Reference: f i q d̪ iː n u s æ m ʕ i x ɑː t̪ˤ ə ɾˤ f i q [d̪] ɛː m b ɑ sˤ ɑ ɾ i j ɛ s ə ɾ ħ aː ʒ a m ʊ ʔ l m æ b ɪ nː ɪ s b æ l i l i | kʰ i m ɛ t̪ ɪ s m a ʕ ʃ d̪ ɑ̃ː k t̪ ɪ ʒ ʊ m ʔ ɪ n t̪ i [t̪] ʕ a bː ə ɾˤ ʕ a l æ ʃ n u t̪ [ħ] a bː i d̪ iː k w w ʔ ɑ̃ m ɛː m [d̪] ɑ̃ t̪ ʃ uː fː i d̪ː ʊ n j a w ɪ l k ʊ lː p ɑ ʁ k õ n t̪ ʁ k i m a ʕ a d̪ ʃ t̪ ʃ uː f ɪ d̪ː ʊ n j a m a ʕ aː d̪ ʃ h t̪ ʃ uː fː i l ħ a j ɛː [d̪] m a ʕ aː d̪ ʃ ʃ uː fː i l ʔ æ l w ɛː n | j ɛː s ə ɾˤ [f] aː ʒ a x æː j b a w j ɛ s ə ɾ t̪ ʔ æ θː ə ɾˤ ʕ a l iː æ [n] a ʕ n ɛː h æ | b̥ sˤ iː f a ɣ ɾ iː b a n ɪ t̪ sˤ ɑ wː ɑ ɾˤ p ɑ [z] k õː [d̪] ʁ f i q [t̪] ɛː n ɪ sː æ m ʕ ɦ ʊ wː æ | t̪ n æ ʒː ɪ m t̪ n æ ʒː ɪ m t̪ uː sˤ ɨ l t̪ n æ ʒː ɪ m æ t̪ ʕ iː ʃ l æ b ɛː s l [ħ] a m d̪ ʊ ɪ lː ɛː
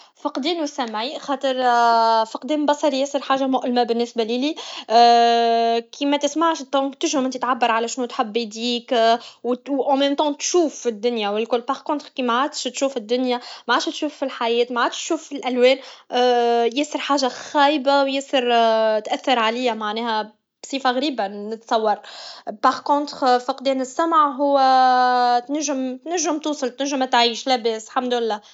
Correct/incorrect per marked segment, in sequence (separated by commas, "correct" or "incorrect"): correct, correct, correct, incorrect, incorrect, incorrect, incorrect, incorrect, incorrect, incorrect, correct